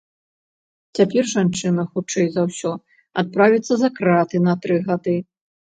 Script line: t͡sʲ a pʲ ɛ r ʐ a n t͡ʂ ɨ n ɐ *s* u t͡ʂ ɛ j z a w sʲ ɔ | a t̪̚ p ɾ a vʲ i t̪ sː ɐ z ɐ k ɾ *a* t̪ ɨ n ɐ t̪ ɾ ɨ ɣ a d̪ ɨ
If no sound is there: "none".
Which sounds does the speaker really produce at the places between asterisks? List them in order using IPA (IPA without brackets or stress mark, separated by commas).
x, a